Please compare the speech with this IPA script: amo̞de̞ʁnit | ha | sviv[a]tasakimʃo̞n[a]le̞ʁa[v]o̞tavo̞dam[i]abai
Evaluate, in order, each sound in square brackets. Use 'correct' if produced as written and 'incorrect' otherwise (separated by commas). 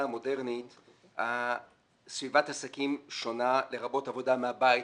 correct, correct, incorrect, incorrect